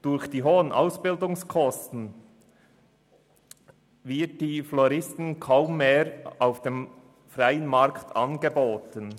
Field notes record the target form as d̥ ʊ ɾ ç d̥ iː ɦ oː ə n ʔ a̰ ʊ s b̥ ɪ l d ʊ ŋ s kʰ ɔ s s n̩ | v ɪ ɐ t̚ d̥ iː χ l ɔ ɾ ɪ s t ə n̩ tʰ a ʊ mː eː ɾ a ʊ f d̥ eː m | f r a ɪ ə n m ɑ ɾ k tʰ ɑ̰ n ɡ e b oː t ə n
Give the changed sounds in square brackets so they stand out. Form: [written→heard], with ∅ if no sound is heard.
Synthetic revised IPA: d̥ ʊ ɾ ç d̥ iː ɦ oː ə n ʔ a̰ ʊ s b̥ ɪ l d ʊ ŋ s kʰ ɔ s [s→t] n̩ | v ɪ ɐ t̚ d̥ iː [χ→f] l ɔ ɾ ɪ s t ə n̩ [tʰ→kʰ] a ʊ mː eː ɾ a ʊ f d̥ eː m | f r a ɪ ə n m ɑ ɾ k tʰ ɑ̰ n ɡ e b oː t ə n

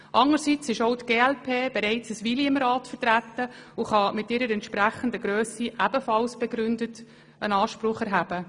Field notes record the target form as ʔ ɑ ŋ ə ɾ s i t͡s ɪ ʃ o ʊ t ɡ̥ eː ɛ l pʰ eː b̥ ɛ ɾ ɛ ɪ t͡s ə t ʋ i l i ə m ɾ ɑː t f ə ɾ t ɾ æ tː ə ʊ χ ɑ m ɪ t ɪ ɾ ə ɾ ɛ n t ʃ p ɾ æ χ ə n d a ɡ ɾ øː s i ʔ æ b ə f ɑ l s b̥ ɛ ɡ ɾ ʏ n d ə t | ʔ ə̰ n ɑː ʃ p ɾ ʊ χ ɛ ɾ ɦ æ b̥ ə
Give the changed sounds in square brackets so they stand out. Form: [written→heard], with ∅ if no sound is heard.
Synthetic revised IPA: ʔ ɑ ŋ ə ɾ s i t͡s ɪ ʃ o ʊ t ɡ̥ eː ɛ l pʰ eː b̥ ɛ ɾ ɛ ɪ t͡s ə [t→s] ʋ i l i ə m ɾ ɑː t f ə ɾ t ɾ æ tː ə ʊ χ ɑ m ɪ t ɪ ɾ ə ɾ ɛ n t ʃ p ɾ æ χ ə n d [a→ə] ɡ ɾ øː s i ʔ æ b ə f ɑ l s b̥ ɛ ɡ ɾ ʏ n d ə t | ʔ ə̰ n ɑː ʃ p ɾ ʊ χ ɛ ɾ ɦ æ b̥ ə

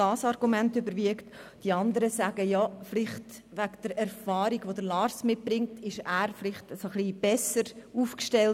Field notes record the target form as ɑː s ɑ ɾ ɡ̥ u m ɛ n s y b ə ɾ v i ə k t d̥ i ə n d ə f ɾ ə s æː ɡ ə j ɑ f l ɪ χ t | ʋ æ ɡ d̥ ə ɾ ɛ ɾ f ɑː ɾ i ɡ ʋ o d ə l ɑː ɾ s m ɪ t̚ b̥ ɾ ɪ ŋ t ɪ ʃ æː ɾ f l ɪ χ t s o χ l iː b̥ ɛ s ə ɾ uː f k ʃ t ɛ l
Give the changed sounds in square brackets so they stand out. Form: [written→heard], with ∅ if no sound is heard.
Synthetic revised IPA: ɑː s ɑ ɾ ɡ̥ u m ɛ n [s→t] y b ə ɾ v i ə k t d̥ i [ə→ɑ] n d ə [f→∅] ɾ ə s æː ɡ ə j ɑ f l ɪ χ t | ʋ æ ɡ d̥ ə ɾ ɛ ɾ f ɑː ɾ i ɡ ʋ o d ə l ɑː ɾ s m ɪ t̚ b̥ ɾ ɪ ŋ t ɪ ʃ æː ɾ f l ɪ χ t s o χ l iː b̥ ɛ s ə ɾ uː f k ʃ t ɛ l

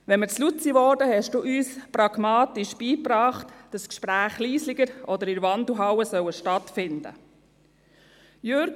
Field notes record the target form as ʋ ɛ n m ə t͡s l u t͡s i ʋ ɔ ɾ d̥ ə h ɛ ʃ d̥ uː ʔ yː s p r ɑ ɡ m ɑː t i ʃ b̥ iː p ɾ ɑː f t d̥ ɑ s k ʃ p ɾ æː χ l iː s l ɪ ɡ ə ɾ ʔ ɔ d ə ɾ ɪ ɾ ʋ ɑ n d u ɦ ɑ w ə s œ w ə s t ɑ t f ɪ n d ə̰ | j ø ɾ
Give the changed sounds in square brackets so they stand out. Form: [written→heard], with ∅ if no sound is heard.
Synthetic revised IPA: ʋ ɛ n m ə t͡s l u t͡s i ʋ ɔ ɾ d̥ ə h ɛ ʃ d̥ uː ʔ yː s p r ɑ ɡ m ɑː t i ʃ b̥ iː p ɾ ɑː [f→χ] t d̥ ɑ s k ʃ p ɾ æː χ l iː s l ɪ ɡ ə ɾ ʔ ɔ d ə ɾ ɪ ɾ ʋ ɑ n d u ɦ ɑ w ə s œ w ə [s→ʃ] t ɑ t f ɪ n d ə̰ | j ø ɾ

